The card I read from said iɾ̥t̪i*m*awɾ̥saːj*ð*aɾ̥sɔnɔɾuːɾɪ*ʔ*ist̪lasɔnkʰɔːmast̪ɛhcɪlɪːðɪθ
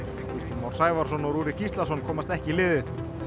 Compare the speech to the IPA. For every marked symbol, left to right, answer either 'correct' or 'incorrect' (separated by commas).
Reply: correct, incorrect, incorrect